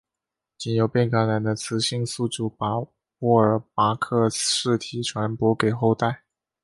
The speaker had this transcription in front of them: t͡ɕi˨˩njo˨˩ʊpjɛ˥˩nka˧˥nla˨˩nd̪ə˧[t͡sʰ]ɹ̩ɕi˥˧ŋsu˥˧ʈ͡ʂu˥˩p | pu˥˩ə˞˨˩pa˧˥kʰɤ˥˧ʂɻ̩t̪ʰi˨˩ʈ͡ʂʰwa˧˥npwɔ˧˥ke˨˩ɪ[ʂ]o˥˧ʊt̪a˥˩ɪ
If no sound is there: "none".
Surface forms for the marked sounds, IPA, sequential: t͡sʰ, x

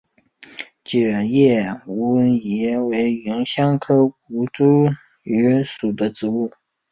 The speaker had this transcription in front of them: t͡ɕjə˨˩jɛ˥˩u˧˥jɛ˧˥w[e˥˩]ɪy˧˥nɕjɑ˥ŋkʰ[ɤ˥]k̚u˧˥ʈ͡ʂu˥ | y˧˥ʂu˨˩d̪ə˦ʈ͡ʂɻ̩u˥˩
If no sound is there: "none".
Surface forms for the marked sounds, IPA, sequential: e˧˥, ɤ˥

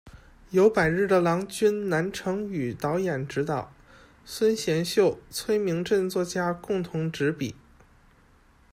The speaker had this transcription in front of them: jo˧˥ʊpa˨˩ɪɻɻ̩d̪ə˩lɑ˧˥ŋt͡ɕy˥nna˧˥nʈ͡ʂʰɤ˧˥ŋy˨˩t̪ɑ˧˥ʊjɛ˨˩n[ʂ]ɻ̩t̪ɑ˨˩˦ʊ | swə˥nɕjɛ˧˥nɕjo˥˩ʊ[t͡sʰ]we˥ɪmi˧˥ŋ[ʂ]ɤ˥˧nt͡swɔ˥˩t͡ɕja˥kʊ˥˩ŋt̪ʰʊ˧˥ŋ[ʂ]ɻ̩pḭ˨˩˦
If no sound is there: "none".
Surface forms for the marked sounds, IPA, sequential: ʈ͡ʂ, t͡sʰ, ʈ͡ʂ, ʈ͡ʂ

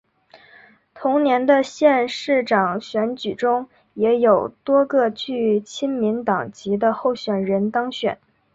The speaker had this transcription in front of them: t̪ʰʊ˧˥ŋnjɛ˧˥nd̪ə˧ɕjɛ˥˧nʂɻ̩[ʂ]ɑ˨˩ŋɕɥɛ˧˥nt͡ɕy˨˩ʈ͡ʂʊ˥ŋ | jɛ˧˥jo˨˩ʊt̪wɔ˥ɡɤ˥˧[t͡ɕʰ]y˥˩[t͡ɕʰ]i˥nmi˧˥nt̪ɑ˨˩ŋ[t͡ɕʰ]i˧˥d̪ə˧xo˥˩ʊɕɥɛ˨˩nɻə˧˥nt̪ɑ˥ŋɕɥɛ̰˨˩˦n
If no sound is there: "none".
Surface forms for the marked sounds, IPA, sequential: ʈ͡ʂ, t͡ɕ, t͡ɕʰ, t͡ɕ

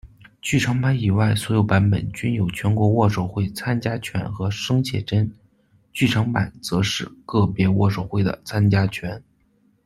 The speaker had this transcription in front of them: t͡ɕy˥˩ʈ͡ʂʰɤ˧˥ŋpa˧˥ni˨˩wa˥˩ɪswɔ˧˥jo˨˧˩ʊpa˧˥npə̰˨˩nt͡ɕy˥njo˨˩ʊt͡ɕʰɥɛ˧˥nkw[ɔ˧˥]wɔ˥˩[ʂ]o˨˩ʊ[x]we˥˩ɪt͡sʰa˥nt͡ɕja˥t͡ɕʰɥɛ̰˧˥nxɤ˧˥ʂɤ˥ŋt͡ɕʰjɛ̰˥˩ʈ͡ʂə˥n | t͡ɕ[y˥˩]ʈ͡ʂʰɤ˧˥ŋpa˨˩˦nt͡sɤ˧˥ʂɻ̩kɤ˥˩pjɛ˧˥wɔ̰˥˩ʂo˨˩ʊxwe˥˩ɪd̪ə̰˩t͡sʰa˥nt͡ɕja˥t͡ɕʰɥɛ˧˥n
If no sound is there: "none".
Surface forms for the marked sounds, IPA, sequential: ɔ˧˥, ʂ, x, y˥˩

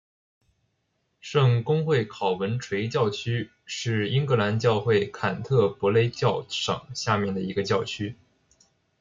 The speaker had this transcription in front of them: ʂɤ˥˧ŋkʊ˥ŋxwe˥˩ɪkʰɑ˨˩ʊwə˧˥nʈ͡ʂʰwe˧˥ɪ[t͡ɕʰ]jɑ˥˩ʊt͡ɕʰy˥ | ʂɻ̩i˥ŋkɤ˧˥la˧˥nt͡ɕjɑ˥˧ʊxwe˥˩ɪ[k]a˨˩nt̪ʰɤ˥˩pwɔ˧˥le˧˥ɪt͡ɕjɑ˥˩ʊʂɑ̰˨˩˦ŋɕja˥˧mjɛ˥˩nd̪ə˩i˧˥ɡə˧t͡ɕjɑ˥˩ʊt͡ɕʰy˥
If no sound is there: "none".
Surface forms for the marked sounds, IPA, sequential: t͡ɕ, kʰ

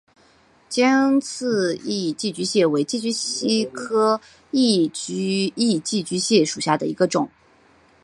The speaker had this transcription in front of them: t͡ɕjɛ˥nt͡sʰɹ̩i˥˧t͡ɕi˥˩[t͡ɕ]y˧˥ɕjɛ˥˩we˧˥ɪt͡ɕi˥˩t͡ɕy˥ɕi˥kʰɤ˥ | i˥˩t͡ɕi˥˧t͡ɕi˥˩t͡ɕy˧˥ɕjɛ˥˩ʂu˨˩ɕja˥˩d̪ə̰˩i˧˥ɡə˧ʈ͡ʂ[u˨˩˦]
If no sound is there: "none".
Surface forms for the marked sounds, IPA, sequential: t͡ɕ, ʊ˨˩˦

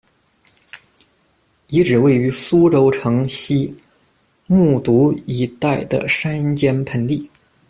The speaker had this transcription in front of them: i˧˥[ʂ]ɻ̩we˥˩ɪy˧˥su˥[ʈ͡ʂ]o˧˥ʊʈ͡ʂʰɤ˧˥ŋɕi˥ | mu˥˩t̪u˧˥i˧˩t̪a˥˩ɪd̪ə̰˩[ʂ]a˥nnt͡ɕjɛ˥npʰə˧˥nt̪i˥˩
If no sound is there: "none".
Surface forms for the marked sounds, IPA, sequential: ʈ͡ʂ, ʈ͡ʂ, ʂ

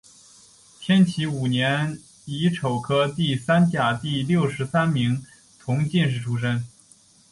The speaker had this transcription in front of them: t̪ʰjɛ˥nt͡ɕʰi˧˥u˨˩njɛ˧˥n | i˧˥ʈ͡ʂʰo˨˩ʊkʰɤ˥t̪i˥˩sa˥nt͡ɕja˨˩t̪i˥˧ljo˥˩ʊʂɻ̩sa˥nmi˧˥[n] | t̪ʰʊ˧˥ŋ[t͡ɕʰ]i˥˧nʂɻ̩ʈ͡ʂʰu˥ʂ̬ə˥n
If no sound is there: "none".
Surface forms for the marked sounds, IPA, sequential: ŋ, t͡ɕ

